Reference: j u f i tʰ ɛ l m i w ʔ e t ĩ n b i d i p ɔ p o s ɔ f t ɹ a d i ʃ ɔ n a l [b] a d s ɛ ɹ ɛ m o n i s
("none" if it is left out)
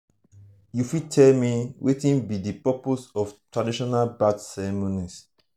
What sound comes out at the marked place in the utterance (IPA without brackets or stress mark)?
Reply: b